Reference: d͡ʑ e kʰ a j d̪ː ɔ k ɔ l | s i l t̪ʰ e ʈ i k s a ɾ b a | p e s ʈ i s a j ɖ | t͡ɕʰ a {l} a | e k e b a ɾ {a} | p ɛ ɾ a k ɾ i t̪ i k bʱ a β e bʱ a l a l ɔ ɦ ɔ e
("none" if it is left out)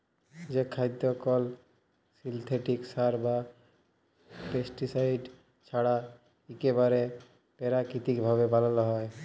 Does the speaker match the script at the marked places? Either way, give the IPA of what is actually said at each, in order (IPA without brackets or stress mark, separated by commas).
ɽ, e